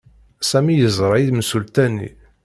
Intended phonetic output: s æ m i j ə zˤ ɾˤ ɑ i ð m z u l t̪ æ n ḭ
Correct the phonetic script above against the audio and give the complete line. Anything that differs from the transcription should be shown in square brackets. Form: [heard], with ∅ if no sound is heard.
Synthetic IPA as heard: s æ m i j ə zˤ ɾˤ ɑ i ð m [s] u l t̪ æ n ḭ